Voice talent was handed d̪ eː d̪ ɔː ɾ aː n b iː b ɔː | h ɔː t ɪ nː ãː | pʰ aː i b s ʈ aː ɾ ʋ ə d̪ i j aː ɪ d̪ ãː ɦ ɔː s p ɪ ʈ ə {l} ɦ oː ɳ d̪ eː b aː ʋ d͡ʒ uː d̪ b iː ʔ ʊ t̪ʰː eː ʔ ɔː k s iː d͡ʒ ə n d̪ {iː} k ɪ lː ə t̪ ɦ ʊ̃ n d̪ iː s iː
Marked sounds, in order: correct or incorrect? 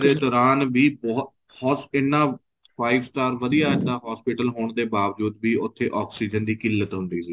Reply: correct, correct

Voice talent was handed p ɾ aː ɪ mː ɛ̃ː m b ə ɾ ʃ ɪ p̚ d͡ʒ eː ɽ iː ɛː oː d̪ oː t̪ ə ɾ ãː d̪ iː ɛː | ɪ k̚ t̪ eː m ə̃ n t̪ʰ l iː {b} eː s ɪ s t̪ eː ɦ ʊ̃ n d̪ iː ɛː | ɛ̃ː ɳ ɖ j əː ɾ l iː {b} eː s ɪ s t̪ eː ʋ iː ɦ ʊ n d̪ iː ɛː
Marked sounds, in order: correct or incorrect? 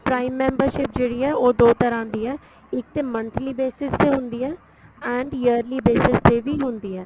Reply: correct, correct

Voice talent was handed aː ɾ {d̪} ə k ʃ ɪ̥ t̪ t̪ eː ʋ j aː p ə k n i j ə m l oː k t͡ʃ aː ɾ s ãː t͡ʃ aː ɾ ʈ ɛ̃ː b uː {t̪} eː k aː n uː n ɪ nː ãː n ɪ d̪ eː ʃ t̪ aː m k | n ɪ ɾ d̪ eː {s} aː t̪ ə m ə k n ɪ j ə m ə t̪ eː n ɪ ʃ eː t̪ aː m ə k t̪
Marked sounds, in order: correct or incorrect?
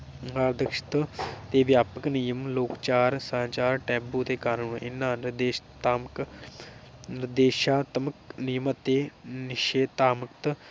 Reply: correct, correct, incorrect

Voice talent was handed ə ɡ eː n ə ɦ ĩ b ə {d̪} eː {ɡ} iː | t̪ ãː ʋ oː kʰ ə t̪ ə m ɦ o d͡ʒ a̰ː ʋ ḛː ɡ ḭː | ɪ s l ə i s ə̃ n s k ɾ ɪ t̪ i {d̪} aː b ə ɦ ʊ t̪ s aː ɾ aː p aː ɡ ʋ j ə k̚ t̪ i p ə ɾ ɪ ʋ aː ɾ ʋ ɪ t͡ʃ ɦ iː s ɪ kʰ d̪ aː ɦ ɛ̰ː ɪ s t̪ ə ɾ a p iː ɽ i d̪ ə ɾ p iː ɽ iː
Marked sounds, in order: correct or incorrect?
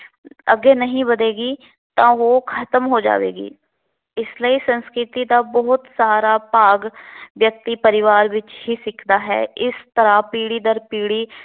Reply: correct, correct, correct

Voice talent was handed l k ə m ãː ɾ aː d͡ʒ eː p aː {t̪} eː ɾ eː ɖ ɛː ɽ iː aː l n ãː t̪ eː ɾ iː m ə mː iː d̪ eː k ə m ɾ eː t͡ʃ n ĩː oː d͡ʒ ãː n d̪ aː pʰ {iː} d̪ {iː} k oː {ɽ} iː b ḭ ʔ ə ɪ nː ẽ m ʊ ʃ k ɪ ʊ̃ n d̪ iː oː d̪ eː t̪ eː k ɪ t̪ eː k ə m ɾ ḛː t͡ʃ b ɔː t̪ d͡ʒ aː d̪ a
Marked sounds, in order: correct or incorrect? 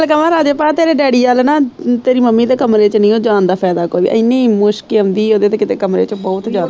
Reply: correct, incorrect, incorrect, incorrect

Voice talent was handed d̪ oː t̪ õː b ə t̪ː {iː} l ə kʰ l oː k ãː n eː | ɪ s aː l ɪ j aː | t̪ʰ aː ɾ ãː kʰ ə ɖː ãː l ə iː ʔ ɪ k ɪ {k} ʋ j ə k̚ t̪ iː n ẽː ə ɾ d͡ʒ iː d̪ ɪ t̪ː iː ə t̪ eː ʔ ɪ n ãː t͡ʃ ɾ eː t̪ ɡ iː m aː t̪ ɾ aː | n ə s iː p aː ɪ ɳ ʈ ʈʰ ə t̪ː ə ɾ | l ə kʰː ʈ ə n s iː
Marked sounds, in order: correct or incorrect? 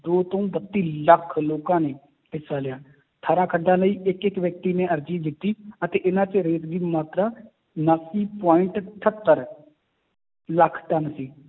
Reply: correct, correct

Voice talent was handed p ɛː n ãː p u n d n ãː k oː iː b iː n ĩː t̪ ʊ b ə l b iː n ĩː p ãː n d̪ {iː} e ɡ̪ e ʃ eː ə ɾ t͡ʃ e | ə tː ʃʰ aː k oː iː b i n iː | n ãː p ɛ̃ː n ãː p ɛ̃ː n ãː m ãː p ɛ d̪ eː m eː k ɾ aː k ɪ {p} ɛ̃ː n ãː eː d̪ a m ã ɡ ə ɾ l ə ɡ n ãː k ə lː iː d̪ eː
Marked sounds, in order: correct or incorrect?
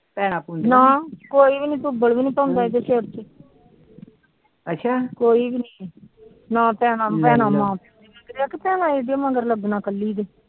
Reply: incorrect, correct

